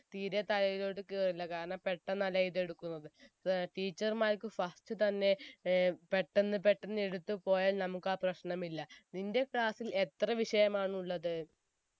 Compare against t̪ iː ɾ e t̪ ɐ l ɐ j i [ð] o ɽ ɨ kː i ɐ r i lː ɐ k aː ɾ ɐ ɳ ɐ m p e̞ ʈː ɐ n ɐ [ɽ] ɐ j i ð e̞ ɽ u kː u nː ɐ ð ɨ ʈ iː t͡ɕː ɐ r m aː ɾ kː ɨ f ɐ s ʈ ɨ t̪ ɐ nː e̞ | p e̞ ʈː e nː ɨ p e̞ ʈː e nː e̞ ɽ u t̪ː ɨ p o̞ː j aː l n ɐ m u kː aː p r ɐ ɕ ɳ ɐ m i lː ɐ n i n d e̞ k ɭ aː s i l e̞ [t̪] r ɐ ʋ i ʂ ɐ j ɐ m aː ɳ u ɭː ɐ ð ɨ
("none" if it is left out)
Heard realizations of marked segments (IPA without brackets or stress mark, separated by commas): ð, l, t̪